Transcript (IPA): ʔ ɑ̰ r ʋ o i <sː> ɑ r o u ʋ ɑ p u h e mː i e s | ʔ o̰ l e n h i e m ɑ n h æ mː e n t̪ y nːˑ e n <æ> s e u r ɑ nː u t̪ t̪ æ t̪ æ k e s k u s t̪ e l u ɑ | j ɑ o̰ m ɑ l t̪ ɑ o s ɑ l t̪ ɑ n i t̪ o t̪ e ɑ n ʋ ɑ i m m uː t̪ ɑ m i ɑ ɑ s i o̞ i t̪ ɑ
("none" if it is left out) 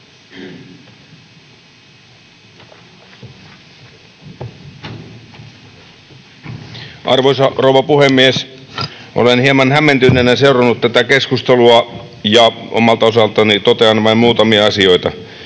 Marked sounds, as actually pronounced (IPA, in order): s, æ

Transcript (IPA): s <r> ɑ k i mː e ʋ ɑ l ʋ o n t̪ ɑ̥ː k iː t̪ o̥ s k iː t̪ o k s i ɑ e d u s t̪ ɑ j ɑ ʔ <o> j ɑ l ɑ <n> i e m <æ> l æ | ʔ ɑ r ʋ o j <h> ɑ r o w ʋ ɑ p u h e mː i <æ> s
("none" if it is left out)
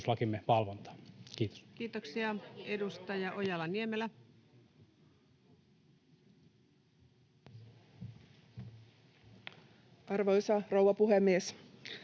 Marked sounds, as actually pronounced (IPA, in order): l, o, n, e, s, e

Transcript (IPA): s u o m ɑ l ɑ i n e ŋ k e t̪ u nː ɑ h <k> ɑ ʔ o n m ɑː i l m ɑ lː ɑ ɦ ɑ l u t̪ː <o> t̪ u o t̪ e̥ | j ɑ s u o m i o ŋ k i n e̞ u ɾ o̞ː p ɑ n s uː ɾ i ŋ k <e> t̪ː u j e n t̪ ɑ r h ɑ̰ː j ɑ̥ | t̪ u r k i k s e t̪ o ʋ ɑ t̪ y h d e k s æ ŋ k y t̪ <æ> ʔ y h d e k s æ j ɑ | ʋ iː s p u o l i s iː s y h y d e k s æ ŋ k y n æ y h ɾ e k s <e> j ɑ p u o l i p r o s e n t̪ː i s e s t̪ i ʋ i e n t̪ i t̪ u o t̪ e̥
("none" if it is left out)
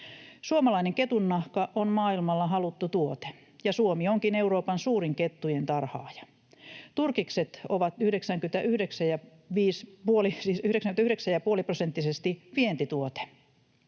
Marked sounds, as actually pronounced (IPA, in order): k, u, e, æ, æ

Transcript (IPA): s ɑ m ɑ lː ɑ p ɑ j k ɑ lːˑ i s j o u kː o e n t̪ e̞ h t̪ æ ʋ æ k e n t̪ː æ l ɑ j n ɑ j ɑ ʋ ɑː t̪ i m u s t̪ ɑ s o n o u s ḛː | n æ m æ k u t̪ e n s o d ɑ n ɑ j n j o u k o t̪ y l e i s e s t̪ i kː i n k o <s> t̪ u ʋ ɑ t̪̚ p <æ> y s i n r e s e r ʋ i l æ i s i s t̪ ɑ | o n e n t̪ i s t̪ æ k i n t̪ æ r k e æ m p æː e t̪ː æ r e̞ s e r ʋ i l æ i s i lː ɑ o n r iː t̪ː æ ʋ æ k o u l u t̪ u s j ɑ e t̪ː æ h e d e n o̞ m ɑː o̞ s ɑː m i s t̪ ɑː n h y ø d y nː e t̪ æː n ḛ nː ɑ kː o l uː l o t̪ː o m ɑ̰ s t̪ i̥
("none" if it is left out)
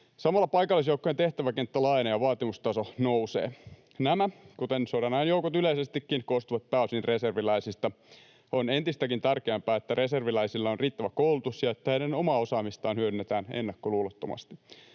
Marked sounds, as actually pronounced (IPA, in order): s, æ

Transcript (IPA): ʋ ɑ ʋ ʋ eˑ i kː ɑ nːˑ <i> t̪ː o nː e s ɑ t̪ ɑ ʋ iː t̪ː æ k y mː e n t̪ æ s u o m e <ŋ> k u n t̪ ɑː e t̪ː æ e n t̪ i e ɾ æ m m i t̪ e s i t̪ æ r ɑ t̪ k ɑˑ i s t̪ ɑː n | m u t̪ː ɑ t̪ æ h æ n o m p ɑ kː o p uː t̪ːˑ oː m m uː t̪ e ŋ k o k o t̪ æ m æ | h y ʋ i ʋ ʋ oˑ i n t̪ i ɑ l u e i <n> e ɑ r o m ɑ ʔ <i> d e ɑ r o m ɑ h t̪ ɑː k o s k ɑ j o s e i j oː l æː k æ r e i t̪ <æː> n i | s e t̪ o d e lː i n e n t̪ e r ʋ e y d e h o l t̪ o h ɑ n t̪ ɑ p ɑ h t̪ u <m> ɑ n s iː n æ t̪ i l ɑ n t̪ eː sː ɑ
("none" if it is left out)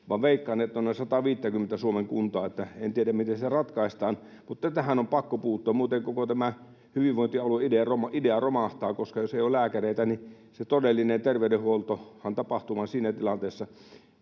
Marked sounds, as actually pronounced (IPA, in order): e, ŋ, d, i, æ, m

